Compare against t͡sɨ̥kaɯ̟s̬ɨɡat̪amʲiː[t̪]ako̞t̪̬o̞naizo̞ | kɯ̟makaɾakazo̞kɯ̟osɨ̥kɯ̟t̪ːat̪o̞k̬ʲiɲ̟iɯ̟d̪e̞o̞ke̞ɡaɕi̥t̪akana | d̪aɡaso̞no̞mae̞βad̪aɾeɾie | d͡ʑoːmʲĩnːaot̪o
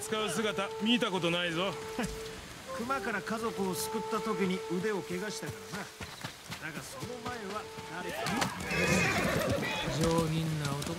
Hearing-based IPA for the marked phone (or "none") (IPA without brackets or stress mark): t̪